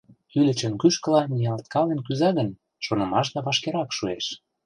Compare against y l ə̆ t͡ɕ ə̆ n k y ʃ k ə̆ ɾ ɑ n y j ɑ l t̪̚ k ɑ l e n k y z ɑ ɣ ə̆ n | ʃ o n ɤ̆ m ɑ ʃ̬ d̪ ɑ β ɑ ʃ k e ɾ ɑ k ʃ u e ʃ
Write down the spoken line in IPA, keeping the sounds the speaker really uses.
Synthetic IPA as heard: y l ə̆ t͡ɕ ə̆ n k y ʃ k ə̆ l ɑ n i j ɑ l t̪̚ k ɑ l e n k y z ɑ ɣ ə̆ n | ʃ o n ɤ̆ m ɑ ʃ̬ d̪ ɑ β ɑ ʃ k e ɾ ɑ k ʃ u e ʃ